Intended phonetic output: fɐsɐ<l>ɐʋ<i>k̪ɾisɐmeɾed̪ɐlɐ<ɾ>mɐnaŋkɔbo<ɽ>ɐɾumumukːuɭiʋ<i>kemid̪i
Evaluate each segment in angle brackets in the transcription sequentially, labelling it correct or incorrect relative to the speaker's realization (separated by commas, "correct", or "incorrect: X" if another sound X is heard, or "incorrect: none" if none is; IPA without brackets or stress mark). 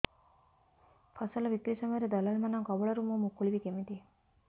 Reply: correct, correct, incorrect: l, incorrect: ɭ, correct